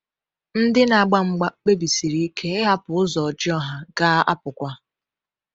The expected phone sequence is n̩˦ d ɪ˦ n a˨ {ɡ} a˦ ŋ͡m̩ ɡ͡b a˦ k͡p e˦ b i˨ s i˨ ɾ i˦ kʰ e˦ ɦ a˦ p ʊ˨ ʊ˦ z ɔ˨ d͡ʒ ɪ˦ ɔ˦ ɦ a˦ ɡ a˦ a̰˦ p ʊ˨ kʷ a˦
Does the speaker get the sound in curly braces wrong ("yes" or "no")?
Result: yes